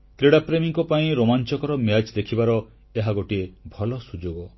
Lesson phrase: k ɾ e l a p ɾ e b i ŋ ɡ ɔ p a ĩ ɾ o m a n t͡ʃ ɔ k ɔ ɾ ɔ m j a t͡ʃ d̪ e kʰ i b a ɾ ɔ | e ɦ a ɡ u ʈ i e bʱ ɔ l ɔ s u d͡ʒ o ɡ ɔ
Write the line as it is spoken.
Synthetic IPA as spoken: k ɾ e ɽ a p ɾ e m i ŋ k ɔ p a ĩ ɾ o m a n t͡ʃ ɔ k ɔ ɾ ɔ m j a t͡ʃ d̪ e kʰ i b a ɾ ɔ | e ɦ a ɡ o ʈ i e bʱ ɔ l ɔ s u d͡ʒ o ɡ ɔ